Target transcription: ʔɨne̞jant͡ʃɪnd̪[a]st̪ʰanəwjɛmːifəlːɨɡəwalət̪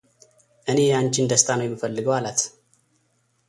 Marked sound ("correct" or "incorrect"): incorrect